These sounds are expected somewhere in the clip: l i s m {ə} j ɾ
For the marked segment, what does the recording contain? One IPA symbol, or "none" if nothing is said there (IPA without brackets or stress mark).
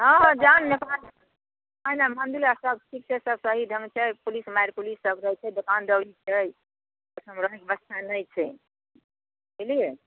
a